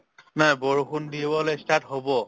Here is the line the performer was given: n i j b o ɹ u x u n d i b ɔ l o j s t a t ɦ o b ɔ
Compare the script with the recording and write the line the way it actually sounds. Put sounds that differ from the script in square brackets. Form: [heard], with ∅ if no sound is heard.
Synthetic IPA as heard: n [a] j b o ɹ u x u n d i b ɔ l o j s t a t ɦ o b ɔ